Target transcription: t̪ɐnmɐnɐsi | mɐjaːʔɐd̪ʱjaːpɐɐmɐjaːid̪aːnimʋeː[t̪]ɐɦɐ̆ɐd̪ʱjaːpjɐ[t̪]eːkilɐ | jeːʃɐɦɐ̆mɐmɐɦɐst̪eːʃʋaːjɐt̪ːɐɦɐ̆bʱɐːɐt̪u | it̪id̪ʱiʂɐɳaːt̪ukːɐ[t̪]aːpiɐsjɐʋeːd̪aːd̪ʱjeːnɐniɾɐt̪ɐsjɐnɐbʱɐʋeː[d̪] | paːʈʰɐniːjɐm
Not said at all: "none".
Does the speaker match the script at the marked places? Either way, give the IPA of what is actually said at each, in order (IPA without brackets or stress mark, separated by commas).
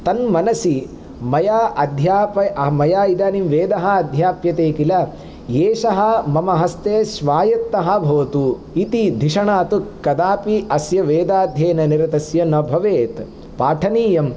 d̪, t̪, d̪, t̪